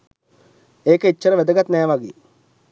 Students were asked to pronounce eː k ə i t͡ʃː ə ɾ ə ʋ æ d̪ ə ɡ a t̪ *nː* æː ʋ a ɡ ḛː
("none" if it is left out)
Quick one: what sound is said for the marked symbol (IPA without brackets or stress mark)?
n